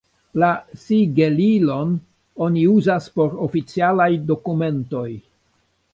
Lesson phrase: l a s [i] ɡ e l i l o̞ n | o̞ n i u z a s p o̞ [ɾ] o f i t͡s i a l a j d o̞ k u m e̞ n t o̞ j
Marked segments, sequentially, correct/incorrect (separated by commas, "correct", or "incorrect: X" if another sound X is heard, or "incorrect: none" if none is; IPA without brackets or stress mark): correct, correct